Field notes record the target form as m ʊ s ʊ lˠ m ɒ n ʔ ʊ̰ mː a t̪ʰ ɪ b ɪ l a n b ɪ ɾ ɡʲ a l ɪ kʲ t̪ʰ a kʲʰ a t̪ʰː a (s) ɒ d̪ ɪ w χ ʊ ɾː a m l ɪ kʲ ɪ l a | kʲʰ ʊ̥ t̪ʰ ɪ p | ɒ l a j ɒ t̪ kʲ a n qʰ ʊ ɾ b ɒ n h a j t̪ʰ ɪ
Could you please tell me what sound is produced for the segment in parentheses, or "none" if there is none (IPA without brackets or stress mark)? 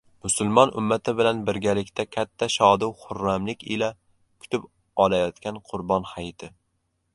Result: ʃ